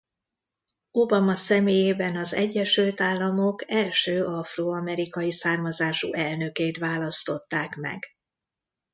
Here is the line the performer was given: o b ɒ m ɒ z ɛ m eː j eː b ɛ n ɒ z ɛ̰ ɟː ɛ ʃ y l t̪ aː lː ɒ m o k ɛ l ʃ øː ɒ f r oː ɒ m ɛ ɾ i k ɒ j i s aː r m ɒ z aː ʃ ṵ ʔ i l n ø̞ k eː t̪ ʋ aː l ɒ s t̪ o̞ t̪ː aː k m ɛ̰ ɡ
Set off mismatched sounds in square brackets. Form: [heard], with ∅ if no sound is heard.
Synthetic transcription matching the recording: o b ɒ m ɒ [s] ɛ m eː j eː b ɛ n ɒ z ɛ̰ ɟː ɛ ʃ y l t̪ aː lː ɒ m o k ɛ l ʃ øː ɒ f r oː ɒ m ɛ ɾ i k ɒ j i s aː r m ɒ z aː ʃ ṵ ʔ [ɛ] l n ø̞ k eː t̪ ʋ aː l ɒ s t̪ o̞ t̪ː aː k m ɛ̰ ɡ